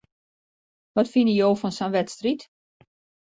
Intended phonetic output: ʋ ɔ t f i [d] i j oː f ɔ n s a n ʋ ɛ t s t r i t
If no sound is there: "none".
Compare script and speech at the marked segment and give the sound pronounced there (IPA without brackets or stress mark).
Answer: n